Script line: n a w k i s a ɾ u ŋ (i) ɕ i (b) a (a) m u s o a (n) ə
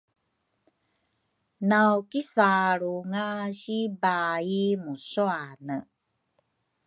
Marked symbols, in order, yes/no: no, yes, no, yes

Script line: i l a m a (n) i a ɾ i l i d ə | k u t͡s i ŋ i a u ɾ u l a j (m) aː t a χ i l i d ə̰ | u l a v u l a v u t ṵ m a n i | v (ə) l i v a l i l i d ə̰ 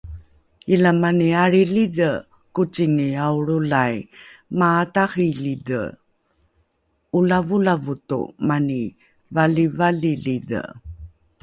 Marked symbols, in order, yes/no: yes, yes, no

